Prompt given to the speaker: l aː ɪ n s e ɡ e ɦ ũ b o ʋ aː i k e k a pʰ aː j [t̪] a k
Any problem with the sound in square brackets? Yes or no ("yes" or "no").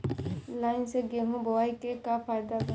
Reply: yes